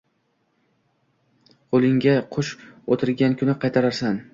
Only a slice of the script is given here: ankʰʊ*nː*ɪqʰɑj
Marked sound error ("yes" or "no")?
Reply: yes